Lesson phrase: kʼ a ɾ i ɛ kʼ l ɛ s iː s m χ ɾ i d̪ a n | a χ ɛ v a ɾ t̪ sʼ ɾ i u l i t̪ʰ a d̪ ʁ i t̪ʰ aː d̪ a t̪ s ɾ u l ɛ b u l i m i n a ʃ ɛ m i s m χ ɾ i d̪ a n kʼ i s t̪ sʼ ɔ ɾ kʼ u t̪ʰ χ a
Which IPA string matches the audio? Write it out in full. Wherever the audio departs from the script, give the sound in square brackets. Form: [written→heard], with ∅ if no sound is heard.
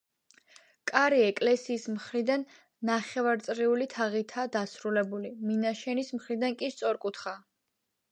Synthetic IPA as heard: kʼ a ɾ i ɛ kʼ l ɛ s iː s m χ ɾ i d̪ a [n→nː] | a χ ɛ v a ɾ t̪ sʼ ɾ i u l i t̪ʰ a [d̪→∅] ʁ i t̪ʰ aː d̪ a [t̪→∅] s ɾ u l ɛ b u l i m i n a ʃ ɛ [m→n] i s m χ ɾ i d̪ a n kʼ i s t̪ sʼ ɔ ɾ kʼ u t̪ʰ χ a